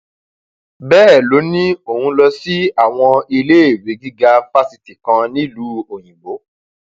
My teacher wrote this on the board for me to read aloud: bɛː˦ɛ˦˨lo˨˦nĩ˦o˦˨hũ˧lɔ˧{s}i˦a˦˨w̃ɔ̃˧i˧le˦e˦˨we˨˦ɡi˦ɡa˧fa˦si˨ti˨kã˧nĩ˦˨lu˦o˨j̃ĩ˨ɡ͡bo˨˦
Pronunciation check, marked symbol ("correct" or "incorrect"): correct